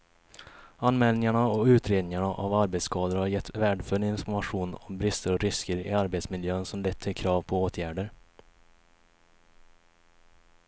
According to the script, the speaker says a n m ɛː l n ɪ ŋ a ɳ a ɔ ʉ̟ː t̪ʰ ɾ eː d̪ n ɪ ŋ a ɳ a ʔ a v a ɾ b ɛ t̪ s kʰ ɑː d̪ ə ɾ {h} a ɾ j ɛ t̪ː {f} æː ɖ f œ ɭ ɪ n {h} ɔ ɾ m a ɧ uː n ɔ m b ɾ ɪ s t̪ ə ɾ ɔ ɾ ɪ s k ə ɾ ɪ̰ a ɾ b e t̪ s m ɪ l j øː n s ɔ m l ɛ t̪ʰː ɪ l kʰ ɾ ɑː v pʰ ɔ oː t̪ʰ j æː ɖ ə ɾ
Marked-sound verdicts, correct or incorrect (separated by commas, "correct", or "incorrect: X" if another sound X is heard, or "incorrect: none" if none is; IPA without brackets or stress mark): correct, incorrect: v, incorrect: f